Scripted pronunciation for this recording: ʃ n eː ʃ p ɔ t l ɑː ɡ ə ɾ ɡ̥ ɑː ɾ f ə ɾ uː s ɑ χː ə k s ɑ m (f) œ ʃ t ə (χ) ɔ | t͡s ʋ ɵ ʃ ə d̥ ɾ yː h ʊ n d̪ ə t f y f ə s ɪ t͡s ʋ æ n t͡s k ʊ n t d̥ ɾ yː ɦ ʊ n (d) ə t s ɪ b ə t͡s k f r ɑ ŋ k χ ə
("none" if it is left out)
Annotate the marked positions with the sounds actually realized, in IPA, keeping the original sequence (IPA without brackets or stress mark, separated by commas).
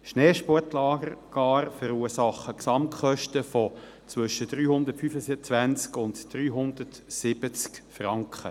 χ, f, d